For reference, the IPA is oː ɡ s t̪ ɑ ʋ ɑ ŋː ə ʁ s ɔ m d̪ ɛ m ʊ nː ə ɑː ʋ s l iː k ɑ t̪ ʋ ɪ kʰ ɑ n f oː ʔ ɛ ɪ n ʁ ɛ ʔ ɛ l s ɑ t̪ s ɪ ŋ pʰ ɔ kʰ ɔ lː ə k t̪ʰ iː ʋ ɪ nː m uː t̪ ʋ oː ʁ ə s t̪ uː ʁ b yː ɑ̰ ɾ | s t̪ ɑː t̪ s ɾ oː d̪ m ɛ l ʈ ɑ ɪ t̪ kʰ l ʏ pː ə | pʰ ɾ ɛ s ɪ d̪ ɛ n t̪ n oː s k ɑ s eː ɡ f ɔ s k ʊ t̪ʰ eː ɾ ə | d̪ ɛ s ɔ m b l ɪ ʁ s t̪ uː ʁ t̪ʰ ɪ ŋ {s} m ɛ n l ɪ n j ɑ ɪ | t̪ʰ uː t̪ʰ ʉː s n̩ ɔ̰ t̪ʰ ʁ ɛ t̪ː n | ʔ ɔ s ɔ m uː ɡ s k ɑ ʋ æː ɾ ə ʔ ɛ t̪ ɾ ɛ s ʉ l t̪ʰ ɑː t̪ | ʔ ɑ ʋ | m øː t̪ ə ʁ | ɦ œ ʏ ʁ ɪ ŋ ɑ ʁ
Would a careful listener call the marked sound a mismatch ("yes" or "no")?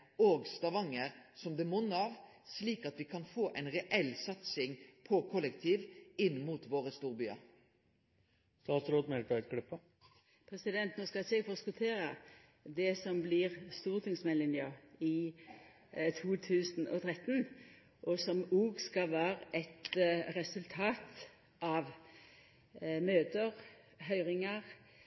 no